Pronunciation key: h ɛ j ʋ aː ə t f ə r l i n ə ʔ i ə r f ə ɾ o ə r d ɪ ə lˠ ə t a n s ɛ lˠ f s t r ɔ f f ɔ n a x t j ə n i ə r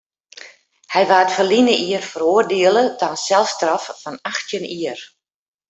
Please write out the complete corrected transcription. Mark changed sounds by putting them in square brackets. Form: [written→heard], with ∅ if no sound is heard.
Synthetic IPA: h ɛ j ʋ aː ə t f ə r l i n ə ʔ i ə r f ə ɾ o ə r d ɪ ə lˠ ə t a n s ɛ lˠ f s t r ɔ f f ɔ n a x t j ə n i ə r